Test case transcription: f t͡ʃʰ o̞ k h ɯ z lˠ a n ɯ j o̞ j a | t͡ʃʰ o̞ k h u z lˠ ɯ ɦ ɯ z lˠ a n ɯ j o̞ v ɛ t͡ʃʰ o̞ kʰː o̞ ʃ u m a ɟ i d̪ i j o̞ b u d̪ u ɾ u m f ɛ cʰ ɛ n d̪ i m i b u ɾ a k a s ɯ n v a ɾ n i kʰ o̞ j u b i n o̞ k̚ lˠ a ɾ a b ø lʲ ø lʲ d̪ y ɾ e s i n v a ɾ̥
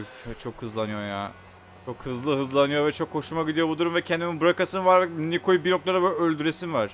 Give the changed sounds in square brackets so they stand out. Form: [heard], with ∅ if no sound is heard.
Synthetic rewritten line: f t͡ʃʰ o̞ k h ɯ z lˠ a n ɯ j o̞ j a | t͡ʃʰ o̞ k h [ɯ] z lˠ ɯ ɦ ɯ z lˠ a n ɯ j o̞ v ɛ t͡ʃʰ o̞ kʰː o̞ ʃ u m a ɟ i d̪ i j o̞ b u d̪ u ɾ u m [v] ɛ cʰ ɛ n d̪ i m i b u ɾ a k a s ɯ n v a ɾ n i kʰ o̞ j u b i n o̞ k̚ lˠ a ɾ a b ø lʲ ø lʲ d̪ y ɾ e s i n v a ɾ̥